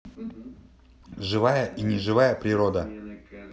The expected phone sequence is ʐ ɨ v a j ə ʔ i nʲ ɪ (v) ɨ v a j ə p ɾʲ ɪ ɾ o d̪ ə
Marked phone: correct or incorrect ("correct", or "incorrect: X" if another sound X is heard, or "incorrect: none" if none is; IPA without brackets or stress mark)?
incorrect: ʐ